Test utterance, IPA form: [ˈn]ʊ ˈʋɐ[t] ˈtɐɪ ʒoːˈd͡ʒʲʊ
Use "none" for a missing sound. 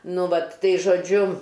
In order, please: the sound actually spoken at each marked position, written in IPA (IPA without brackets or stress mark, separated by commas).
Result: n, t